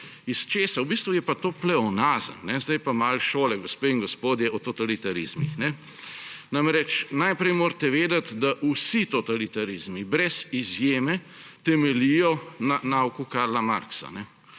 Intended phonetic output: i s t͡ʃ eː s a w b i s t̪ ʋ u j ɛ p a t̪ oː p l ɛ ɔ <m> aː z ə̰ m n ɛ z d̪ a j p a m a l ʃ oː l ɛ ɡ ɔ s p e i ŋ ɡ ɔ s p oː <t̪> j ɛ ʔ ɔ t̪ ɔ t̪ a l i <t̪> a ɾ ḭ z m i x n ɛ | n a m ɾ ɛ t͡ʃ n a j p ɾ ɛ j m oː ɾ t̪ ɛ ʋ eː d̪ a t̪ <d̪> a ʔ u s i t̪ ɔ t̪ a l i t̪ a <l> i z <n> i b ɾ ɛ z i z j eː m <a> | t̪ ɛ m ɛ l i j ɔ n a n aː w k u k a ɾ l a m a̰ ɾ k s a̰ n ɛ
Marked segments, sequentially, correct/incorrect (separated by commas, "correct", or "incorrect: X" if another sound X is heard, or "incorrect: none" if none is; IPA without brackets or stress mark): incorrect: n, incorrect: d̪, correct, correct, incorrect: ɾ, incorrect: m, incorrect: ɛ